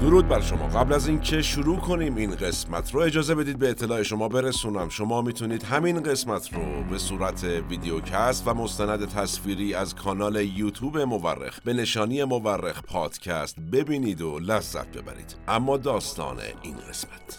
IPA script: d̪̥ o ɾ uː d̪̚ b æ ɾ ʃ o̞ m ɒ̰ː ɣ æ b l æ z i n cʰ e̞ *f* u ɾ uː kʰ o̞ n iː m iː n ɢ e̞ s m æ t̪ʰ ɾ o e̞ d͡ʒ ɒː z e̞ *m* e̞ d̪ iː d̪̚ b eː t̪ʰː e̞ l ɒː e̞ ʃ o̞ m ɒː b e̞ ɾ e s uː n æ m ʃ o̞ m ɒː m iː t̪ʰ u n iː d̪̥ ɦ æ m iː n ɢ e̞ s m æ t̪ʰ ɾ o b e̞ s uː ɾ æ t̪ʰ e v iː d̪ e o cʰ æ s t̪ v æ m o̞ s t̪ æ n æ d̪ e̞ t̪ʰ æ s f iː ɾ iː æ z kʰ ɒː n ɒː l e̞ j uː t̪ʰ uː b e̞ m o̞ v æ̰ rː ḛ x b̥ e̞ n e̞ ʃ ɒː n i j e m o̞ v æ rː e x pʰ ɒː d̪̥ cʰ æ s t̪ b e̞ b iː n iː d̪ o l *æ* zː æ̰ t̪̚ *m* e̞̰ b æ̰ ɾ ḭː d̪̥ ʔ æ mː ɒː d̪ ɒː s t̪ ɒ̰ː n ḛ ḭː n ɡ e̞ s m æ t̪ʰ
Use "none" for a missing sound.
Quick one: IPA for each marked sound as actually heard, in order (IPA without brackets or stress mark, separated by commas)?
ʃ, b, æ, b